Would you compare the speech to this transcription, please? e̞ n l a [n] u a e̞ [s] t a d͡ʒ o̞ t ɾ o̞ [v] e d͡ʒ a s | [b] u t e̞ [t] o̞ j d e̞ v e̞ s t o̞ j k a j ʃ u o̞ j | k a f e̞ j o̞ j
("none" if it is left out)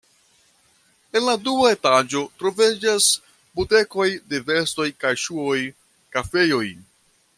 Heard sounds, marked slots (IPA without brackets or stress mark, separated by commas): d, none, v, b, k